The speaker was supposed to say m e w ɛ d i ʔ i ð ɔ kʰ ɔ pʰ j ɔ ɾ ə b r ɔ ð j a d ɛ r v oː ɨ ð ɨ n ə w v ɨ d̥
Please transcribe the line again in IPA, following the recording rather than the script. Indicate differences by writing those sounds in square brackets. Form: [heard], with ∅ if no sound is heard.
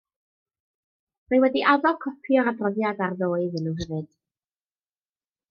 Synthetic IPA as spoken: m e w ɛ d i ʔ [a] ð ɔ kʰ ɔ pʰ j ɔ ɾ [a] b r ɔ ð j a d [a] r [ð] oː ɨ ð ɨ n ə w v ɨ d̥